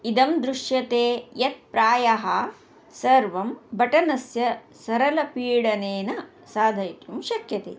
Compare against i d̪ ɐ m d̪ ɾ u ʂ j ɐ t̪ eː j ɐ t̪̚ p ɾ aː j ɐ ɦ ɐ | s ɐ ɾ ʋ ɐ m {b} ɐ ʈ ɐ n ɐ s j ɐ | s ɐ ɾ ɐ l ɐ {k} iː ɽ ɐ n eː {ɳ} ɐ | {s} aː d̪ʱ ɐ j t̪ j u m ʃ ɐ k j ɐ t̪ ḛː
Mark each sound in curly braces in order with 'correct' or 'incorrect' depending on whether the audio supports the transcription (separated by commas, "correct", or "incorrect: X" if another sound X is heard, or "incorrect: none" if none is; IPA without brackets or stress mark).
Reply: correct, incorrect: p, incorrect: n, correct